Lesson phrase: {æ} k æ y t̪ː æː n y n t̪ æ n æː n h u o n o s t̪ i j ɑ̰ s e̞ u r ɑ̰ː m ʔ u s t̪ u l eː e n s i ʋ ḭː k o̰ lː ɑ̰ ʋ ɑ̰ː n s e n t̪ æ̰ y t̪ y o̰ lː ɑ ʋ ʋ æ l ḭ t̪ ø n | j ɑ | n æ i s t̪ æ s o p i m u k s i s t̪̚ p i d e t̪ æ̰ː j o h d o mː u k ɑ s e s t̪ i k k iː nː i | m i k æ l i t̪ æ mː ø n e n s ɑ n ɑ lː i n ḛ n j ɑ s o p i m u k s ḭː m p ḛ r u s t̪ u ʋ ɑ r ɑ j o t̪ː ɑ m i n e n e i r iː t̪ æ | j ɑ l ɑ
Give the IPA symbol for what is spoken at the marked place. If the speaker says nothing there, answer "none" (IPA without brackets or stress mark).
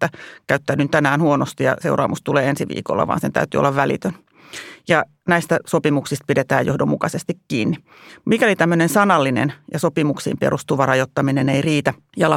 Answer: æ